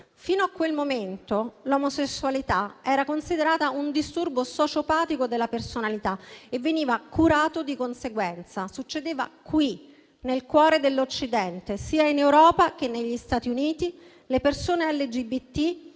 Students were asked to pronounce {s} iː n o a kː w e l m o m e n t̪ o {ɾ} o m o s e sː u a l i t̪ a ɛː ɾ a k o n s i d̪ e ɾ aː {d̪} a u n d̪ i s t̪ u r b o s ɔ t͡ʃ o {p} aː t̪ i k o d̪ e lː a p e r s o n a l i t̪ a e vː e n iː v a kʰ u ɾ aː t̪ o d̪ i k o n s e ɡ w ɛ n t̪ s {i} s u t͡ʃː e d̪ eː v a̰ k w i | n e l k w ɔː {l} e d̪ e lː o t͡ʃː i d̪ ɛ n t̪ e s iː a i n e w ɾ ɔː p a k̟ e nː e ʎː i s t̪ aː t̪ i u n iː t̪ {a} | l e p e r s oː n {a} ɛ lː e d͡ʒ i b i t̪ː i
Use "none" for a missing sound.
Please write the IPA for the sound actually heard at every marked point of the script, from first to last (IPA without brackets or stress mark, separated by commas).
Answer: f, l, t̪, p, a, ɾ, i, e